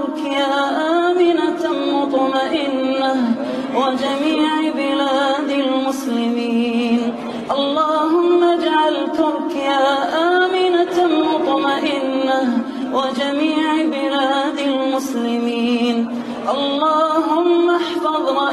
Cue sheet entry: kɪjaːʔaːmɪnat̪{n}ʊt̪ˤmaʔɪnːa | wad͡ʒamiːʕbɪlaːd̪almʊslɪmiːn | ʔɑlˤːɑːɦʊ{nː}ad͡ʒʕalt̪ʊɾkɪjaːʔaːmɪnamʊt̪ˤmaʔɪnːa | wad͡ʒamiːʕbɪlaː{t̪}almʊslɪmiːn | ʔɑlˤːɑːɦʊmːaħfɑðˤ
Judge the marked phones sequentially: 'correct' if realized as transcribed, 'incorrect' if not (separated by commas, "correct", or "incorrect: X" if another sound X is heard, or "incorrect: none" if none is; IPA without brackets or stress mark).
incorrect: m, incorrect: mː, incorrect: d̪